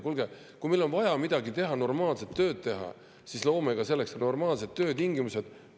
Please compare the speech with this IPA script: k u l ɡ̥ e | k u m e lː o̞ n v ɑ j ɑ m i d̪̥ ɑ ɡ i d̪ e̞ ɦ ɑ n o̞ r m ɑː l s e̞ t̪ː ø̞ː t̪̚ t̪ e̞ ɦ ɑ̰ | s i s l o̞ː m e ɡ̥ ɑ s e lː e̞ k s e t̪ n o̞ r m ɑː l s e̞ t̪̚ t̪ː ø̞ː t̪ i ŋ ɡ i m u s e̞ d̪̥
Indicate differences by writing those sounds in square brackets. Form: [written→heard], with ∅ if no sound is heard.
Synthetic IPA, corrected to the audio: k u l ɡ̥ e | k u m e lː o̞ n v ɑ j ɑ m i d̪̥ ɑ ɡ i [d̪→t̪] e̞ ɦ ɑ n o̞ r m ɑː l s e̞ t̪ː ø̞ː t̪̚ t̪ e̞ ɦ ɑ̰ | s i s l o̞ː m e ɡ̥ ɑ s e lː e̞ k s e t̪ n o̞ r m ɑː l s e̞ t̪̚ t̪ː ø̞ː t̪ i ŋ ɡ i m u s e̞ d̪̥

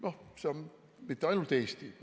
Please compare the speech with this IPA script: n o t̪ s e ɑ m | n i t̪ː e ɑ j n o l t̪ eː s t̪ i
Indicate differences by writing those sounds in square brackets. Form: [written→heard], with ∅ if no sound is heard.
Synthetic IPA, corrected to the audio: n o [t̪→∅] s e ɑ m | [n→m] i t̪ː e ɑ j n [o→u] l t̪ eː s t̪ i

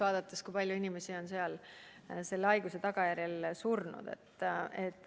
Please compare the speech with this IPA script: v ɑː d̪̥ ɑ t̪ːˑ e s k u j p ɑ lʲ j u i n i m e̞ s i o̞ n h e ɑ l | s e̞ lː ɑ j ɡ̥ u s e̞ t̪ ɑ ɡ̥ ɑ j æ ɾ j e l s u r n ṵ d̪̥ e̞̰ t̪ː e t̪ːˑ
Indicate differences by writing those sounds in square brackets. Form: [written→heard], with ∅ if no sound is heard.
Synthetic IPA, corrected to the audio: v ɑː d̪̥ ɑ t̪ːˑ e s k u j p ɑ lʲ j u i n i m e̞ s i o̞ n [h→s] e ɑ l | s e̞ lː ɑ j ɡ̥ u s e̞ t̪ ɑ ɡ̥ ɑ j æ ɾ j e l s u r n ṵ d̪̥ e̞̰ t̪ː e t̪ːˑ

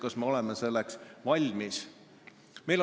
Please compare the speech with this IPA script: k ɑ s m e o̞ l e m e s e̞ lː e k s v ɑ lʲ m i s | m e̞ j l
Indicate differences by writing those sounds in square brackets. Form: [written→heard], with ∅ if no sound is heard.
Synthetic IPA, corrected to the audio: k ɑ s m e o̞ l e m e s e̞ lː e k s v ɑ lʲ m i s | m e̞ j l

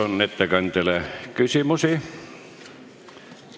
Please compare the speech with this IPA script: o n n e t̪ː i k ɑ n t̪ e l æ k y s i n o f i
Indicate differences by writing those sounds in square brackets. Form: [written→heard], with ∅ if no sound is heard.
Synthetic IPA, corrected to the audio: o n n e t̪ː [i→æ] k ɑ n t̪ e l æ k y s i [n→m] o [f→s] i

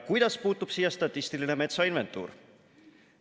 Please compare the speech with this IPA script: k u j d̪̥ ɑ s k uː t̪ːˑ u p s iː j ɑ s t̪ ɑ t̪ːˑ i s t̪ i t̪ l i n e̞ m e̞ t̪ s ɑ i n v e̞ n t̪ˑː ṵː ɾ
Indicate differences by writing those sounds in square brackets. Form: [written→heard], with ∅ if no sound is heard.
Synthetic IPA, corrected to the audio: k u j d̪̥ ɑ s [k→p] uː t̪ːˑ u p s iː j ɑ s t̪ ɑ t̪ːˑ i s t̪ i [t̪→∅] l i n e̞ m e̞ t̪ s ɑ i n v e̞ n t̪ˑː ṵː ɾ

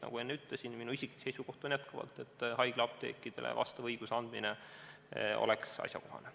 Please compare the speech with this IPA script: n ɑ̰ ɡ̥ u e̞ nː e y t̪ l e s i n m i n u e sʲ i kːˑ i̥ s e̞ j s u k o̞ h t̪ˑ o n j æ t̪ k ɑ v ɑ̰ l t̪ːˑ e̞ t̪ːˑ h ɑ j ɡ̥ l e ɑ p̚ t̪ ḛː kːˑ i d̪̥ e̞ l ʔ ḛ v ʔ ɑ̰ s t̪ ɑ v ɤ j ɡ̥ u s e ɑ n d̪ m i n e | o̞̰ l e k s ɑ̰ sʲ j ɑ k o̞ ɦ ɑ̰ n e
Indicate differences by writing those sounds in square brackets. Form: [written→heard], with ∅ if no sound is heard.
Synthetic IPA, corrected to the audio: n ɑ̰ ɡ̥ u e̞ nː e y t̪ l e s i n m i n u [e→i] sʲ i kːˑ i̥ s e̞ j s u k o̞ h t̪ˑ o n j æ t̪ k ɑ v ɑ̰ l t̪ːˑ e̞ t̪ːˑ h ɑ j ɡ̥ l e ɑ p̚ t̪ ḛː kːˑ i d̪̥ e̞ l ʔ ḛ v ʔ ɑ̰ s t̪ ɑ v ɤ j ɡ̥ u s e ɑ n d̪ m i n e | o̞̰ l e k s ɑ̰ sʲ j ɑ k o̞ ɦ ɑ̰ n e

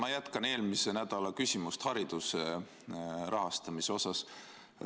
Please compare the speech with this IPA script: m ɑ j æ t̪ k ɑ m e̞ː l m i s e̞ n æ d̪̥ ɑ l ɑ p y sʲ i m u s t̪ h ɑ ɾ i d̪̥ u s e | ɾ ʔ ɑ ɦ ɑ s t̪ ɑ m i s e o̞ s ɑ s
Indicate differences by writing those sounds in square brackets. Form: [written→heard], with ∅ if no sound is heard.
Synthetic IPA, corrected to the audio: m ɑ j æ t̪ k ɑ [m→n] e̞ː l m i s e̞ n æ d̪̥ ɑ l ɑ [p→k] y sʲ i m u s t̪ h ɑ ɾ i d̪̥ u s e | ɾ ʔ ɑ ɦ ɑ s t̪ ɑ m i s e o̞ s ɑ s

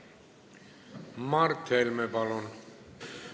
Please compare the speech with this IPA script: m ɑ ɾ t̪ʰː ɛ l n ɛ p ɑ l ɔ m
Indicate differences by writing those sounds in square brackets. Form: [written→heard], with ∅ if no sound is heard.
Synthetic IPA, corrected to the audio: m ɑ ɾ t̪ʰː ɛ l [n→m] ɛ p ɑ l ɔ [m→n]

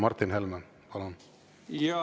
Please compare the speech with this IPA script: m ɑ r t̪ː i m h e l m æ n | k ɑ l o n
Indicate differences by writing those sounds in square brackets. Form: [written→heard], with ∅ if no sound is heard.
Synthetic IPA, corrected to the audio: m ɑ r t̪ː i [m→n] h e l m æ n | [k→p] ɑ l o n

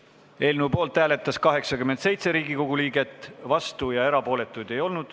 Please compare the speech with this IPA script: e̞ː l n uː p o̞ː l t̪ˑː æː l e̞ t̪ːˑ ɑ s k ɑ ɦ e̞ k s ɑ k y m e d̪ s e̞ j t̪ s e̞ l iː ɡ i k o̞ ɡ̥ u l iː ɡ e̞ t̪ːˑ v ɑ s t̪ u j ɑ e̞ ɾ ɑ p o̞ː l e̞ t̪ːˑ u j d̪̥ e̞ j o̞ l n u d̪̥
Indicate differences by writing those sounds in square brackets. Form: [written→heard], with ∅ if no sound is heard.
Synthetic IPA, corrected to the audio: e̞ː l n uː p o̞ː l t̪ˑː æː l e̞ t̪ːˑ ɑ s k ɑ ɦ e̞ k s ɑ k y m e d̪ s e̞ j t̪ s e̞ [l→ɾ] iː ɡ i k o̞ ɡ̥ u l iː ɡ e̞ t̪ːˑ v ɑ s t̪ u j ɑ e̞ ɾ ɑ p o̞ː l e̞ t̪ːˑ u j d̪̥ e̞ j o̞ l n u d̪̥

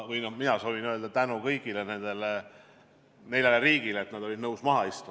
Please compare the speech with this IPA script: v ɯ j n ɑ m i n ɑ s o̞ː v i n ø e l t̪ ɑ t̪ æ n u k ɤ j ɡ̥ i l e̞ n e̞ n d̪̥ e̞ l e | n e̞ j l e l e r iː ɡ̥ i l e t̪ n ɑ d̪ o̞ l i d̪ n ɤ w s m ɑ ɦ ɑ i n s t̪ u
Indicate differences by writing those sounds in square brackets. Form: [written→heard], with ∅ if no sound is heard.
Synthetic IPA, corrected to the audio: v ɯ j n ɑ m i n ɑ s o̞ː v i n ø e l [t̪→d̪] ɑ t̪ æ n u k ɤ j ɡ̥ i l e̞ n e̞ n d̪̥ e̞ l e | n e̞ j l e l e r iː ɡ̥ i l e t̪ n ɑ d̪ o̞ l i d̪ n ɤ w s m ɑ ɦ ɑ i [n→∅] s t̪ u

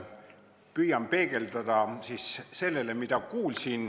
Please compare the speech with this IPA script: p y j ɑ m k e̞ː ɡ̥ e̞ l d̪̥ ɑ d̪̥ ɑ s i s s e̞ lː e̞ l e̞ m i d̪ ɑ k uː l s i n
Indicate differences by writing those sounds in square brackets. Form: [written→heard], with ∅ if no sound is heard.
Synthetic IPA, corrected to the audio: p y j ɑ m [k→p] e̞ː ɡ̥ e̞ l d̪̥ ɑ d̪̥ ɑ s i s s e̞ lː e̞ l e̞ m i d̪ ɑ k uː l s i n

